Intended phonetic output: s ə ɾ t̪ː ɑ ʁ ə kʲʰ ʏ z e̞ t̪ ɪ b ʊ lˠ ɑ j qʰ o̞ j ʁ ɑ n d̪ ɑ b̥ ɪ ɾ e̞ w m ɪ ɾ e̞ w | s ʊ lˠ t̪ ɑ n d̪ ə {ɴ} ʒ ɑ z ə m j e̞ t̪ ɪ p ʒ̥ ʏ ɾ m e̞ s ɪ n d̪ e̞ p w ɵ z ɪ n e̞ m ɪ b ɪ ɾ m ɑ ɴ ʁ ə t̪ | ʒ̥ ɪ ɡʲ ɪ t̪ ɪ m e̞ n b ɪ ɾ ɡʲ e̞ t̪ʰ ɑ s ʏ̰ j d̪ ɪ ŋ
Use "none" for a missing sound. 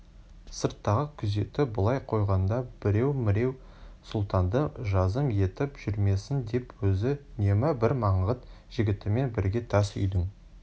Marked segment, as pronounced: none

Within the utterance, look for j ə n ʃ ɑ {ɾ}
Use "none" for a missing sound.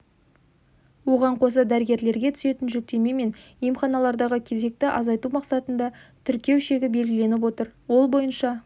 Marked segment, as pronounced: none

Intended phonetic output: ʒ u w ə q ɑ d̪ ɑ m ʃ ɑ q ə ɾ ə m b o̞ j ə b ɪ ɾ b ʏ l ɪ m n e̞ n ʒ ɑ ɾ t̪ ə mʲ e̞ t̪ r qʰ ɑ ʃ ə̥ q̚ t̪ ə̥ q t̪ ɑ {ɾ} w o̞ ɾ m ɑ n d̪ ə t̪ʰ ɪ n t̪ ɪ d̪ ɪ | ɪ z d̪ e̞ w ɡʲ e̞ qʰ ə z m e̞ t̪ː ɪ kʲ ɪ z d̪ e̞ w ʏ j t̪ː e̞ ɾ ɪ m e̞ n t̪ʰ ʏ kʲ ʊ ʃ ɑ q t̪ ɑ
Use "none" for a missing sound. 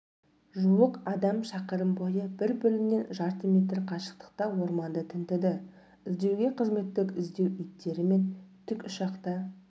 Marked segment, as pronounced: none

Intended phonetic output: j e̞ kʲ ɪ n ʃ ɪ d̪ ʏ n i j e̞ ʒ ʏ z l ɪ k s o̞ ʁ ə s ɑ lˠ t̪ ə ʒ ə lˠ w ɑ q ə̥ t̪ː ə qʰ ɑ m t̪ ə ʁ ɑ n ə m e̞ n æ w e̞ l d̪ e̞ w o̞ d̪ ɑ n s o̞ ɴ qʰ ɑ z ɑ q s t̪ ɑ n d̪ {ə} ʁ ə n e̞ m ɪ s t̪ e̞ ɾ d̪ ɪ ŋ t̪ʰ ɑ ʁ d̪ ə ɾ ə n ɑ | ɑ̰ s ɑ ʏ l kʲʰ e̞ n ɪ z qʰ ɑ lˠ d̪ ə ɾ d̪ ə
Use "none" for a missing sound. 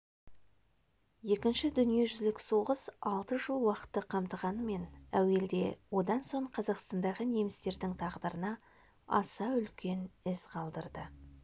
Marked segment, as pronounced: ɑ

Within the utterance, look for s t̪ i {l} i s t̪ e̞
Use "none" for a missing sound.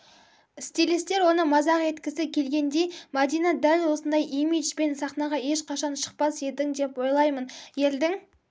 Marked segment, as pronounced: l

